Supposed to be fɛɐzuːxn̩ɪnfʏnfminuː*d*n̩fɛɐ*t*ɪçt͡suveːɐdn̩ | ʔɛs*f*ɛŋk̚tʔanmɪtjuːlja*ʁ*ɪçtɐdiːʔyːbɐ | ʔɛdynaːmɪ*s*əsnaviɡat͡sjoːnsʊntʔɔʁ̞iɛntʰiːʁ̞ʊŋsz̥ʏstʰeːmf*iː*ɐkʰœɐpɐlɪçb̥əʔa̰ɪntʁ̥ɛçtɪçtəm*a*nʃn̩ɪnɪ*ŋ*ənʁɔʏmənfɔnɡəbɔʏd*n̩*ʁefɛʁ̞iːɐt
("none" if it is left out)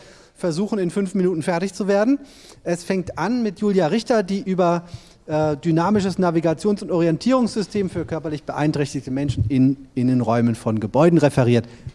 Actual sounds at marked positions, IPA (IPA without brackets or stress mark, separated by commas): t, t, f, ʁ, ʃ, yː, ɛ, n, n̩